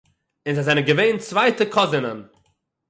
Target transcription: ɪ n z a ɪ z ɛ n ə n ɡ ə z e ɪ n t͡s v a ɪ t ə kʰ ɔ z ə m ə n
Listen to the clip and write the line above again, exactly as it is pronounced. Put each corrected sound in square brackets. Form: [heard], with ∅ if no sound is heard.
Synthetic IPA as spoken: ɪ n z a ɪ z ɛ n ə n ɡ ə [v] e ɪ n t͡s v a ɪ t ə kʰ ɔ z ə [n] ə n